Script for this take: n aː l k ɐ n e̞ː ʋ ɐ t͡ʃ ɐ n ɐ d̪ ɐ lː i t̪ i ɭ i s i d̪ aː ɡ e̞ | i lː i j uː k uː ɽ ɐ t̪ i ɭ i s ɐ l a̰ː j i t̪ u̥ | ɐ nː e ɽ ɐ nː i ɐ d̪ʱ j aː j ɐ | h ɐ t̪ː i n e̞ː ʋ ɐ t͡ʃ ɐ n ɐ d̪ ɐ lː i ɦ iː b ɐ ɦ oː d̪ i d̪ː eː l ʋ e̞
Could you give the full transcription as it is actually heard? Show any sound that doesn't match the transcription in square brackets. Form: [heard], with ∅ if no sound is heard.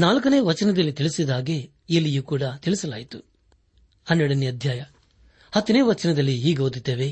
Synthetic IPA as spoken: n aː l k ɐ n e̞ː ʋ ɐ t͡ʃ ɐ n ɐ d̪ ɐ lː i t̪ i ɭ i s i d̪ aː ɡ e̞ | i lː i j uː k uː ɽ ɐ t̪ i ɭ i s ɐ l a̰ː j i t̪ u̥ | ɐ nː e ɽ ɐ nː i ɐ d̪ʱ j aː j ɐ | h ɐ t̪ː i n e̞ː ʋ ɐ t͡ʃ ɐ n ɐ d̪ ɐ lː i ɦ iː [ɡ] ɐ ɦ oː d̪ i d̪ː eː [∅] ʋ e̞